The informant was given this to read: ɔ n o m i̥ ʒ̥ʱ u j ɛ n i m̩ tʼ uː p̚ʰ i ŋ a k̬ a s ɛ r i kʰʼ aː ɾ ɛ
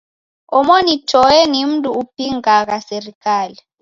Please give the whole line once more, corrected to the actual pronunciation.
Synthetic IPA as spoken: ɔ m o n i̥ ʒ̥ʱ ɔ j ɛ n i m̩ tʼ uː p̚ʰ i ŋ a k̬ a s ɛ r i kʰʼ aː l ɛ